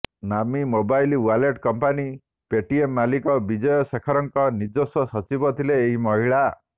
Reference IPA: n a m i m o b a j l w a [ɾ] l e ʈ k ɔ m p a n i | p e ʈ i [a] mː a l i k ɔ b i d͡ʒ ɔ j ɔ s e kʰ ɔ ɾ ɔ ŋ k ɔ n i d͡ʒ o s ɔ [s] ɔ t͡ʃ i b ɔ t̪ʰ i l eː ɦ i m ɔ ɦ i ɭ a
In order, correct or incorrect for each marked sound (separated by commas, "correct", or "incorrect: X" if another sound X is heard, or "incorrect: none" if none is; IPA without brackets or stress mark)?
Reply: incorrect: none, incorrect: e, correct